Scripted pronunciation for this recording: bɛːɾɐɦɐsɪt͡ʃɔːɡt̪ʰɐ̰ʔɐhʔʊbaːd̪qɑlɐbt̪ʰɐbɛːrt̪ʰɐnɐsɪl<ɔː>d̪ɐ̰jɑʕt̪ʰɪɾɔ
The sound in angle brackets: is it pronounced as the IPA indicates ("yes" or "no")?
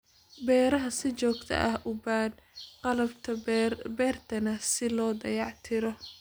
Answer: yes